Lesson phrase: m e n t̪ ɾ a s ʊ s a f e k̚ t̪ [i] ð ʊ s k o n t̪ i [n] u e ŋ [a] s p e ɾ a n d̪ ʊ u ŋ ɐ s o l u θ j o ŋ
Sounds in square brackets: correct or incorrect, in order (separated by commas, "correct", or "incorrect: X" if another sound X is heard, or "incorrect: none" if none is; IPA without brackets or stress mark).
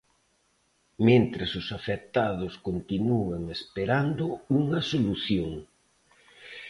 incorrect: a, correct, incorrect: e